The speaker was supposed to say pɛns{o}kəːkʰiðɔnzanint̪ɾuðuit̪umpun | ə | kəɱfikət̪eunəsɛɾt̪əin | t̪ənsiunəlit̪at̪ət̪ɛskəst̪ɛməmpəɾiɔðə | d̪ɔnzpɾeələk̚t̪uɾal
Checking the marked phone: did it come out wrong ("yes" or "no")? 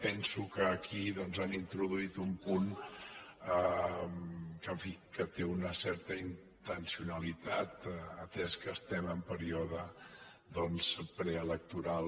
yes